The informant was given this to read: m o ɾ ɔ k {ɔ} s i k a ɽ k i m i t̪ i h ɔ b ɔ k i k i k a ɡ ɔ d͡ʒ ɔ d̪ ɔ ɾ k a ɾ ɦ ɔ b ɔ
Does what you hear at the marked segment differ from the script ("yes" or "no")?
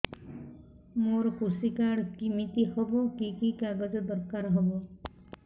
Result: yes